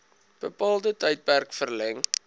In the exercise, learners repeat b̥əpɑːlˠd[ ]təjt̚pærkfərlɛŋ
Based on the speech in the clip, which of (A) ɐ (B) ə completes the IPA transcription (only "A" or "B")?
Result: B